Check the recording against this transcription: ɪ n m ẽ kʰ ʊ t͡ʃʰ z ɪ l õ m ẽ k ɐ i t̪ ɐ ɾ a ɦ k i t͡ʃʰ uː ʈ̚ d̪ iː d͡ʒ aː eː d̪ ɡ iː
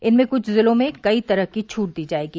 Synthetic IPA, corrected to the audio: ɪ n m ẽ k ʊ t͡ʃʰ z ɪ l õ m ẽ k ɐ i t̪ ɐ ɾ ə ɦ k i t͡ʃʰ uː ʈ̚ d̪ iː d͡ʒ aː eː ɡ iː